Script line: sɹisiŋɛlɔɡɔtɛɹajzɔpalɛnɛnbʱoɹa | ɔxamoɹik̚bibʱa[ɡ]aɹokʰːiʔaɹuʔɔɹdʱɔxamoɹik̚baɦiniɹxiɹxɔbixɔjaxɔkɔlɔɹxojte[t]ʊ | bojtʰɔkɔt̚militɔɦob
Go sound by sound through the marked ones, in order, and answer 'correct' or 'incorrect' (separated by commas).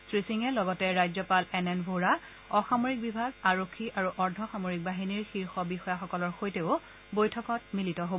correct, incorrect